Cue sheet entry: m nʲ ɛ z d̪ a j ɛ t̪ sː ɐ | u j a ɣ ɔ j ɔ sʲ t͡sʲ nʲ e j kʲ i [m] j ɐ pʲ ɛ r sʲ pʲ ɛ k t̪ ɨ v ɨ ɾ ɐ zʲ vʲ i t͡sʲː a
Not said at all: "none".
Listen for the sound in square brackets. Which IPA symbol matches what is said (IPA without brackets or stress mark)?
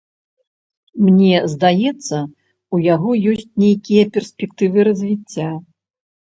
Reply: none